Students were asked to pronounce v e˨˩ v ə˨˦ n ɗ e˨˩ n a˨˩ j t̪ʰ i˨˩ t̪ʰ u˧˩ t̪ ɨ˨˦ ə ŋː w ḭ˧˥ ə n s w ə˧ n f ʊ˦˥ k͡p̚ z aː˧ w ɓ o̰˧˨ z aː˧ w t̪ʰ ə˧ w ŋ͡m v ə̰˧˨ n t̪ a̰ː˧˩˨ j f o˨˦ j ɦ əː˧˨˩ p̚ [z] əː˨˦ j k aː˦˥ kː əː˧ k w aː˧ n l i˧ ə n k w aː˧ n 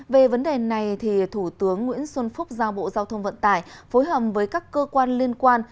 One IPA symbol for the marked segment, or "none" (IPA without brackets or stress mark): v